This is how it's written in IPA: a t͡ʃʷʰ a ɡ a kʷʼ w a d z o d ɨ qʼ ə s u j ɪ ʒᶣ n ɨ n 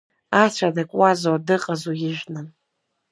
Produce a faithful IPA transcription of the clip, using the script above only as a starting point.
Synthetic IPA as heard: a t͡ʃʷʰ a d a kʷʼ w a z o d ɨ qʼ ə z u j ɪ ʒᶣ n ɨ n